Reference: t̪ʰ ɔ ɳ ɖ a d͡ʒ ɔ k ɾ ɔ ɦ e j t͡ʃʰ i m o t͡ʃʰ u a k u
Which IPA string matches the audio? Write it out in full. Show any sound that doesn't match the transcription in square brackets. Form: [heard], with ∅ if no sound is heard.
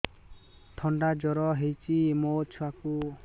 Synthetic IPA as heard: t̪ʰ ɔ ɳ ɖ a d͡ʒ ɔ [∅] ɾ ɔ ɦ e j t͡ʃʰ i m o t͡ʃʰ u a k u